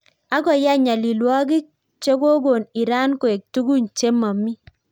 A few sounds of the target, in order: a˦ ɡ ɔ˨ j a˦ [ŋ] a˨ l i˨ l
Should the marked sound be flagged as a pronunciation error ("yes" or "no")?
yes